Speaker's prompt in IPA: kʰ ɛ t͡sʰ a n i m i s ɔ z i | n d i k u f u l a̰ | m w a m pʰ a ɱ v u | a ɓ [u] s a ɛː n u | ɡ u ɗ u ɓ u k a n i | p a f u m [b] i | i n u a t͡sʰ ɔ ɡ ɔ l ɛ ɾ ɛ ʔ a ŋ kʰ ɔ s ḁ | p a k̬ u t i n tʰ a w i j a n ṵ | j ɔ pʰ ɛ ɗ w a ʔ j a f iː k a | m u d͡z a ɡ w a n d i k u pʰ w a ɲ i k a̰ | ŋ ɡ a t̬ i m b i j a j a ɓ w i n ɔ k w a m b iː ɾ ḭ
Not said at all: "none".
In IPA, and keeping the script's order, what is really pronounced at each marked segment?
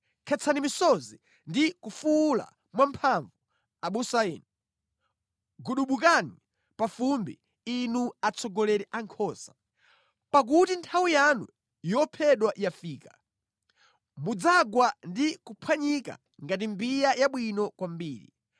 u, b

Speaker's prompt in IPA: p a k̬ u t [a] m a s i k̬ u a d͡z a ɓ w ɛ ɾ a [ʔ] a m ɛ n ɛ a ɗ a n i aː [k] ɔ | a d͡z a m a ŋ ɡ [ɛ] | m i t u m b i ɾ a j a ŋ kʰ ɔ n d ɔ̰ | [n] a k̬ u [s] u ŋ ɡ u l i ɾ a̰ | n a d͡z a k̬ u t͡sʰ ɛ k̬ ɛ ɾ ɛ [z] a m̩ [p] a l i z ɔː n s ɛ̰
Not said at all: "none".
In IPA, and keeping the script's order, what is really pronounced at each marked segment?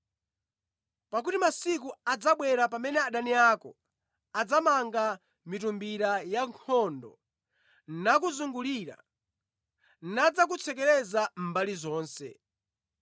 i, p, k, a, n, z, z, b

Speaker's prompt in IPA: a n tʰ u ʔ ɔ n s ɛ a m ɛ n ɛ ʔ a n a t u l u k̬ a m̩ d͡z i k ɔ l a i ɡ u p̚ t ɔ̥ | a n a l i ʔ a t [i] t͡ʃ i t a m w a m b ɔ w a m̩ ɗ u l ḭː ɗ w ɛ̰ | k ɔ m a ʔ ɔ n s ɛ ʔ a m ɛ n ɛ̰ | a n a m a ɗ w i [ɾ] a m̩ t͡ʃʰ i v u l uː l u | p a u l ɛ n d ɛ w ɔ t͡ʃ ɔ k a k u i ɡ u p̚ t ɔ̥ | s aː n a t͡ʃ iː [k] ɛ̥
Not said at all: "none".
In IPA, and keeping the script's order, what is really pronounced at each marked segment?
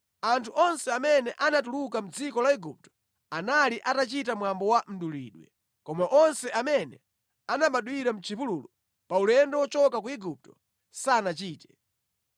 a, ɾ, t

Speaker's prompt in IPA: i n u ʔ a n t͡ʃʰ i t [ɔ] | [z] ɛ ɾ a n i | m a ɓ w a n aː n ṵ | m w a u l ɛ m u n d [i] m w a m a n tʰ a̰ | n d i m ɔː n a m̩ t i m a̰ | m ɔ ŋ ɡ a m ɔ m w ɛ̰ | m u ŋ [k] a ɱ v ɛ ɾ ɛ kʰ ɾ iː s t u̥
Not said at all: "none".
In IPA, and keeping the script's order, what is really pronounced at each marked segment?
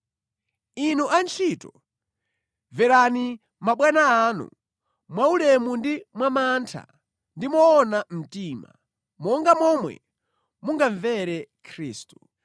ɔ, v, i, ɡ

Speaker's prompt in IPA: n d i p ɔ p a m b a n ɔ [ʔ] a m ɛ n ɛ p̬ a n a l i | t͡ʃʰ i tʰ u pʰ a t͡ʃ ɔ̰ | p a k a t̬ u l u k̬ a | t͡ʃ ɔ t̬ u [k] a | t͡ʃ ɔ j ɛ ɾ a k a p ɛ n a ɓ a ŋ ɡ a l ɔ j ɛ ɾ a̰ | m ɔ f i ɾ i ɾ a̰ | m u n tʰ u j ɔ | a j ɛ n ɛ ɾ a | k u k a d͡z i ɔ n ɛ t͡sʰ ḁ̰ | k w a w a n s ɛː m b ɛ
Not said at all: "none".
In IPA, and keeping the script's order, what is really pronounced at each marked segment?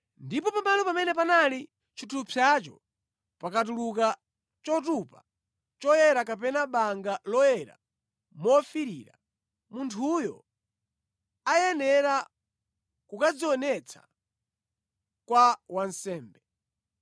p, p

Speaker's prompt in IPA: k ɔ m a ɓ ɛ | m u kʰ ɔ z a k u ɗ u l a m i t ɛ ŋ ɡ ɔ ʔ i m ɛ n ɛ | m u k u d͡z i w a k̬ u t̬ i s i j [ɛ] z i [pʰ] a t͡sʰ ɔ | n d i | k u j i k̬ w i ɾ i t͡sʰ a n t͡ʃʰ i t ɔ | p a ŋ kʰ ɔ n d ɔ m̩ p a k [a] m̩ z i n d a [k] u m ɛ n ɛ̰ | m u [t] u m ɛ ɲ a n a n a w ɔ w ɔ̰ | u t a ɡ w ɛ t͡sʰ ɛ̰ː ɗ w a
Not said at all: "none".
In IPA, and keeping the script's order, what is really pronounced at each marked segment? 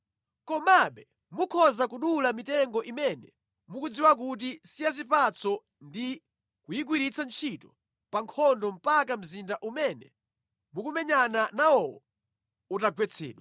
a, p, a, ʔ, k

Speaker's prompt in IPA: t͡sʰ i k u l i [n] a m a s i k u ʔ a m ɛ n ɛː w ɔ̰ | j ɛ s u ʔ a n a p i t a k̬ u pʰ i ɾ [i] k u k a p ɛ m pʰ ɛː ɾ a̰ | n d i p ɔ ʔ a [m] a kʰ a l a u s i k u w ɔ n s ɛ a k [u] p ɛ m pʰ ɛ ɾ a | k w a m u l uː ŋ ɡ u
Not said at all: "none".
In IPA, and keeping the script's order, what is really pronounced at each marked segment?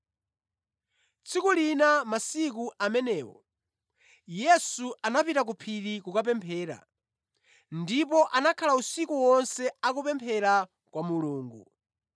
n, i, n, u

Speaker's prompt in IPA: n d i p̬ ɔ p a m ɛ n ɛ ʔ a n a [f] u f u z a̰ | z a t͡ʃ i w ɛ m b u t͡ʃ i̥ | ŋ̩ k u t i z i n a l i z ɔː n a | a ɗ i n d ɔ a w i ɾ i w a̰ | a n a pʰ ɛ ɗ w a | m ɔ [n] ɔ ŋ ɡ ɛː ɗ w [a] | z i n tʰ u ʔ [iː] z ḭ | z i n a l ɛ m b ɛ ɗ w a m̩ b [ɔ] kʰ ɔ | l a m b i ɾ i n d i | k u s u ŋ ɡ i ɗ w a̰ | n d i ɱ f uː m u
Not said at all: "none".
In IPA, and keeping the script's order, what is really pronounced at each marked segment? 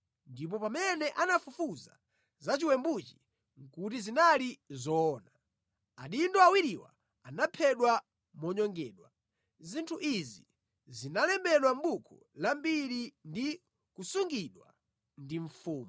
f, ɲ, a, i, u

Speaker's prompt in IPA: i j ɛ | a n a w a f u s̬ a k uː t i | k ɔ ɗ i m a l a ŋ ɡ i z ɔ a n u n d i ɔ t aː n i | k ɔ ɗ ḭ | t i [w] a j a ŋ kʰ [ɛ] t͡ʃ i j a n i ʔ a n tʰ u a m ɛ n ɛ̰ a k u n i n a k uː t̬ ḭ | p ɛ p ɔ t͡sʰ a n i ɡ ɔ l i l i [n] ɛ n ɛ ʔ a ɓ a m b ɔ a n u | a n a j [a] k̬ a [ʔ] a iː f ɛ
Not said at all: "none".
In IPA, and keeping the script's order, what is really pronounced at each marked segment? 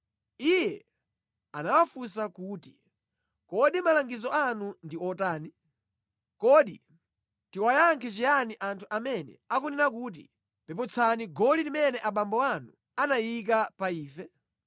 w, ɛ, m, i, p

